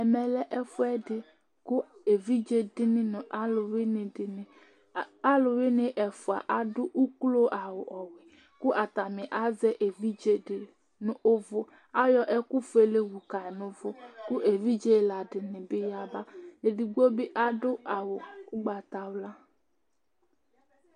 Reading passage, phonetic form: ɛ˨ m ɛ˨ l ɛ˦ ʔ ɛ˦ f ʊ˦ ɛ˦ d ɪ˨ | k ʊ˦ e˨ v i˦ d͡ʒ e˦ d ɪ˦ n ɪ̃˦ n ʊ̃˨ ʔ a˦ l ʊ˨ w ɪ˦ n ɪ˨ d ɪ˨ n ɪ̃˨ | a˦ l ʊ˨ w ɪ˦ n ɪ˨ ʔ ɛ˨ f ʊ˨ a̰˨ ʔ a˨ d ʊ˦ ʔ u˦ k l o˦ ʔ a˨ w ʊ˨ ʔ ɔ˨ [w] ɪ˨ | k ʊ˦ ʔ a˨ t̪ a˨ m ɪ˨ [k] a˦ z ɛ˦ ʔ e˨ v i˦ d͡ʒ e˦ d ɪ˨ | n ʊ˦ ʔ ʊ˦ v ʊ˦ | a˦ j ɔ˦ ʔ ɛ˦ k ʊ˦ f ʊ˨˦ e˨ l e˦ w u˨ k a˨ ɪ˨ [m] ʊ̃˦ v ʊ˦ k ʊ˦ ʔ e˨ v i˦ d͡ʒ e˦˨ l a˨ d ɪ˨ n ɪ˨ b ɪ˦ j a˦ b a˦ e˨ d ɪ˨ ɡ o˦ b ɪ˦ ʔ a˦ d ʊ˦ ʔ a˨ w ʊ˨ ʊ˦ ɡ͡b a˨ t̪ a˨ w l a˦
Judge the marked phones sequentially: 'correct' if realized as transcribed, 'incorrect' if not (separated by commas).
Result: correct, incorrect, incorrect